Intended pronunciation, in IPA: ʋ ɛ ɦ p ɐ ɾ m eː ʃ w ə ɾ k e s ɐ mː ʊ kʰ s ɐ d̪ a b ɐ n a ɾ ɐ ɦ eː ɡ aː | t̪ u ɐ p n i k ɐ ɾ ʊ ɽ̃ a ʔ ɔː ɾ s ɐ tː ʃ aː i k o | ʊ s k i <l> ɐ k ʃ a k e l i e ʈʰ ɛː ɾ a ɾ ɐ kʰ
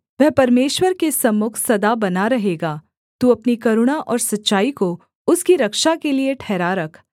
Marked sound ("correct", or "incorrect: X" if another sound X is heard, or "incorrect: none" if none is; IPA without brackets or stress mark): incorrect: ɾ